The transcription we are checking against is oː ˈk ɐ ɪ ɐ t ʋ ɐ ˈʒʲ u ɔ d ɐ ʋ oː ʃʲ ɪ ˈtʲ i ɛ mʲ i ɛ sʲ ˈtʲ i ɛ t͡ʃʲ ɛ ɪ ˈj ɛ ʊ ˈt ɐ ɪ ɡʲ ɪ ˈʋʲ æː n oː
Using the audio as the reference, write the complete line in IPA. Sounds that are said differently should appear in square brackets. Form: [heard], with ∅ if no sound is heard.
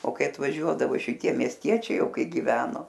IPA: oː ˈk ɐ ɪ ɐ t ʋ ɐ ˈʒʲ u ɔ d ɐ ʋ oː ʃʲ ɪ ˈtʲ i ɛ mʲ i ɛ sʲ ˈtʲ i ɛ t͡ʃʲ ɛ ɪ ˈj ɛ ʊ [ˈk] ɐ ɪ ɡʲ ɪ ˈʋʲ æː n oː